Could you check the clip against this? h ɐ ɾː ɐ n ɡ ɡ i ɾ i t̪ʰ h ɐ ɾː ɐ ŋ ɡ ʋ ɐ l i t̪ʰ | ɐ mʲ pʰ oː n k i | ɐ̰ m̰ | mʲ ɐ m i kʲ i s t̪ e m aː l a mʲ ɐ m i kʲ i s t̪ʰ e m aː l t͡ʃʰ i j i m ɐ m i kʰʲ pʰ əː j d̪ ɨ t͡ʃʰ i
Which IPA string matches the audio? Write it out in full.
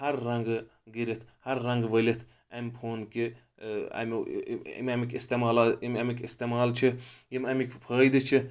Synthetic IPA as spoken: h ɐ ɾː ɐ ŋ ɡ ɡ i ɾ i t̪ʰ h ɐ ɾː ɐ ŋ ɡ ʋ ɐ l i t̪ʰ | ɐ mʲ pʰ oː n k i | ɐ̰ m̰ | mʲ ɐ m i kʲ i s t̪ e m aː l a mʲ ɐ m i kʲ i s t̪ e m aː l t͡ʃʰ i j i m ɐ m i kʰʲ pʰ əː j d̪ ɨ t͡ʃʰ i